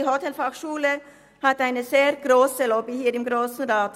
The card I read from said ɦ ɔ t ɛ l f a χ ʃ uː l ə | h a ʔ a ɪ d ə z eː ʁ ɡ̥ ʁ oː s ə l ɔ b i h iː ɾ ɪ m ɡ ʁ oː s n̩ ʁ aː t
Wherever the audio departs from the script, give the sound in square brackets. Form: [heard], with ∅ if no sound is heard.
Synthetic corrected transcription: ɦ ɔ t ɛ l f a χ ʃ uː l ə | h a [t] a ɪ [n] ə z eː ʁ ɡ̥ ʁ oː s ə l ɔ b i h iː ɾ ɪ m ɡ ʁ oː s n̩ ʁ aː t

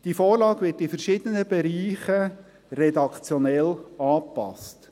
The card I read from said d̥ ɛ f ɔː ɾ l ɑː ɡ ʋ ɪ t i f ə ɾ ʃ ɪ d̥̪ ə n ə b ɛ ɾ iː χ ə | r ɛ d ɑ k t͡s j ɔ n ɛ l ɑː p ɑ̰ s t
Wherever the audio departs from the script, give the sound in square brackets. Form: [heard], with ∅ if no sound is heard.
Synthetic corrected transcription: d̥ [i] f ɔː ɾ l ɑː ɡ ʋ ɪ t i f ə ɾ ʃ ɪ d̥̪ ə n ə b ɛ ɾ iː χ ə | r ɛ d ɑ k t͡s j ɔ n ɛ l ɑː p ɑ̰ s t

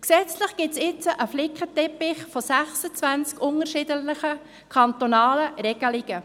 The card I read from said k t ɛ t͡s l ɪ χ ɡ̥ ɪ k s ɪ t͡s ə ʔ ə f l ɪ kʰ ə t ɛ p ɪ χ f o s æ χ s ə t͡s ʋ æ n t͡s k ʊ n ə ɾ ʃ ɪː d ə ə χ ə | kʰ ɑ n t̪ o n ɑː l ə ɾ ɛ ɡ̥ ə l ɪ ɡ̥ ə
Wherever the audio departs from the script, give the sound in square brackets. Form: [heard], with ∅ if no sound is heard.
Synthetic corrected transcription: k [s] ɛ t͡s l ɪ χ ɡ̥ ɪ [t] s ɪ t͡s ə ʔ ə f l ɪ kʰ ə t ɛ p ɪ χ f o s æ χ s ə t͡s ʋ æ n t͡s k ʊ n ə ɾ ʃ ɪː d ə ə χ ə | kʰ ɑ n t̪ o n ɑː l ə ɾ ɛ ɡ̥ ə l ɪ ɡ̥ ə

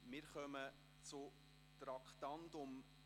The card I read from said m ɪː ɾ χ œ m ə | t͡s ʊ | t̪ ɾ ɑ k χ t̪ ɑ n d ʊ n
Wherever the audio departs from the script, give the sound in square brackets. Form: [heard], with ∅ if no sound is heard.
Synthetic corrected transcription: m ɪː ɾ χ œ m ə | t͡s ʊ | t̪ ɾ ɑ k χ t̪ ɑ n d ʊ [m]

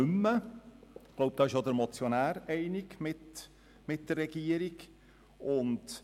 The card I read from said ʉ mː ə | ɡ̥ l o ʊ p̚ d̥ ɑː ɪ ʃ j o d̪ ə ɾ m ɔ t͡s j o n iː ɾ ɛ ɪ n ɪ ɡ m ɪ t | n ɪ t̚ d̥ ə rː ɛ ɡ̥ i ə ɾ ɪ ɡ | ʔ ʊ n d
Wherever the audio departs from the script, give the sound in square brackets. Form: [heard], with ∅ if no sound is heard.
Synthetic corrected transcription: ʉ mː ə | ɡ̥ l o ʊ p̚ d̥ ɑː ɪ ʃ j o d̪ ə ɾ m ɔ t͡s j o n [æː] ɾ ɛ ɪ n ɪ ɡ m ɪ t | [m] ɪ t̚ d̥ ə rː ɛ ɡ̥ i ə ɾ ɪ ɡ | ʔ ʊ n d

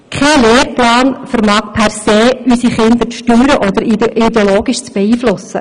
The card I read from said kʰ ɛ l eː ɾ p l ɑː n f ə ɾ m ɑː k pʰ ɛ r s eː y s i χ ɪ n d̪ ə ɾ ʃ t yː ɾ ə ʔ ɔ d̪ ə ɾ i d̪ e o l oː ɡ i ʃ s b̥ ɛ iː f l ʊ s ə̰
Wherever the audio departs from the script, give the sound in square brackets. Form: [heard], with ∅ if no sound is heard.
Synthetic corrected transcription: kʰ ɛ l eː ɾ p l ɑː n f ə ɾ m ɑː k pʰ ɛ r s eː y s i χ ɪ n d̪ ə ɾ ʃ t yː ɾ ə ʔ ɔ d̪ ə ɾ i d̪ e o l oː ɡ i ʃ [t͡s] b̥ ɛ iː f l ʊ s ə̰

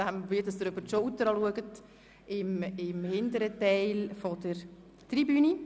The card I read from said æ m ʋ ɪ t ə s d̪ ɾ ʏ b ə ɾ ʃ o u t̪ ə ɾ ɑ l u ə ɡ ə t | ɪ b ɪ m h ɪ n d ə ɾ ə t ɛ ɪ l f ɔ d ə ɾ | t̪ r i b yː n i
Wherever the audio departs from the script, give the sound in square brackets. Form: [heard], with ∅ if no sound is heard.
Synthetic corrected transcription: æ m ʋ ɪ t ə s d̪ ɾ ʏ b ə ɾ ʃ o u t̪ ə ɾ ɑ l u ə ɡ ə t | ɪ [m] ɪ m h ɪ n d ə ɾ ə t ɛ ɪ l f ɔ d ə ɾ | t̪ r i b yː n i

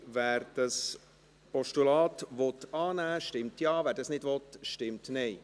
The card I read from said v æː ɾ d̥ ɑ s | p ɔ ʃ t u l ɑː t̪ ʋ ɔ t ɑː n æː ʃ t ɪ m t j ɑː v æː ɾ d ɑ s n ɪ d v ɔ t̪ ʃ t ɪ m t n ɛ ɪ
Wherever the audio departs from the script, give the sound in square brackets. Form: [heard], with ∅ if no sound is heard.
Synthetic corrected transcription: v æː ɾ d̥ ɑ s | p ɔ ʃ t u l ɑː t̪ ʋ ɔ t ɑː n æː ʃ t ɪ m t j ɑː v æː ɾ d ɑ s n ɪ d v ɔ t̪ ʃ t ɪ m t n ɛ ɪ

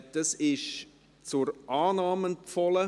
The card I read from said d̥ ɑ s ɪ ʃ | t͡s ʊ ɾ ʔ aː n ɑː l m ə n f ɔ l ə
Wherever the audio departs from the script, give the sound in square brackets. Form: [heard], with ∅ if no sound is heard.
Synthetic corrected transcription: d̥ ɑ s ɪ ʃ | t͡s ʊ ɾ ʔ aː n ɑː [∅] m ə n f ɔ l ə

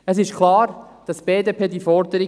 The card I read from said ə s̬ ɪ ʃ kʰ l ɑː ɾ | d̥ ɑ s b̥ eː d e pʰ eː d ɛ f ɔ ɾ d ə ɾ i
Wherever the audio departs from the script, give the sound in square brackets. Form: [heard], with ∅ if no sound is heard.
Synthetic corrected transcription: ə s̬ ɪ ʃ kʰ l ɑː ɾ | d̥ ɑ s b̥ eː d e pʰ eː d [i] f ɔ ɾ d ə ɾ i

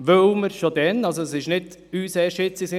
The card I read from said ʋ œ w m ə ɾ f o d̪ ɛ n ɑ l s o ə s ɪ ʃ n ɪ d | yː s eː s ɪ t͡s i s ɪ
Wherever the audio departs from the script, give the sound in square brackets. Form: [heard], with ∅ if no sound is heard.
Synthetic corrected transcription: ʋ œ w m ə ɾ [ʃ] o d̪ ɛ n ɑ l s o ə s ɪ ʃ n ɪ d | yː s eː [ʃ] ɪ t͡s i s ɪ

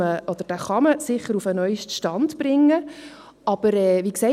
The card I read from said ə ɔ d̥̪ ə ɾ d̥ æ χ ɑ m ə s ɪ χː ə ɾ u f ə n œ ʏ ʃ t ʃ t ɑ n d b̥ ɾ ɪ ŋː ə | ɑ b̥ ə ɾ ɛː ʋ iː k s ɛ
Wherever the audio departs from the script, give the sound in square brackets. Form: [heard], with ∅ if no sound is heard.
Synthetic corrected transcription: ə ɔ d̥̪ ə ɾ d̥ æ χ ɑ m ə s ɪ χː ə ɾ u f ə n œ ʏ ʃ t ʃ t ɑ n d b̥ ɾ ɪ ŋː ə | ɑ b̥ ə ɾ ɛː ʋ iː k s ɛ

